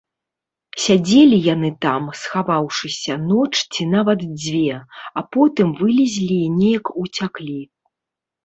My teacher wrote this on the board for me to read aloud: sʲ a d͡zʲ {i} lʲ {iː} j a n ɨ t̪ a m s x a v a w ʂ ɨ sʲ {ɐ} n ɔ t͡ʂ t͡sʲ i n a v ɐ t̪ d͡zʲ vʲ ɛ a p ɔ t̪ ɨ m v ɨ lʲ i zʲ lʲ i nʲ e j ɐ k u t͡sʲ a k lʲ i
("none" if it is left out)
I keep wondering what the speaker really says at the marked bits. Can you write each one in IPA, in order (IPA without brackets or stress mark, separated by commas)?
e, i, ɐ